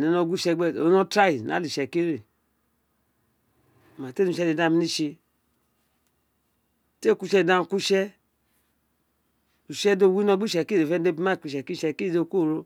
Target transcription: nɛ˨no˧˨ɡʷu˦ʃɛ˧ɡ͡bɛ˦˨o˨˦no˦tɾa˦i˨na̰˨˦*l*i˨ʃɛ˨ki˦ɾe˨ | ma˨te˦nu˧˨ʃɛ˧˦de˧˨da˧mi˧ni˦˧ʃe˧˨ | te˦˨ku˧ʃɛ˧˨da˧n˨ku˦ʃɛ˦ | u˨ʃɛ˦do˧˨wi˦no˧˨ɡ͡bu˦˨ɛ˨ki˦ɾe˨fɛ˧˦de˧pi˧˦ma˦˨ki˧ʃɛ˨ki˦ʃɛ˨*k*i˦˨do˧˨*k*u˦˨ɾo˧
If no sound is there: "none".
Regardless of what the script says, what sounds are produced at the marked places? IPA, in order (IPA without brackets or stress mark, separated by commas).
l, k, k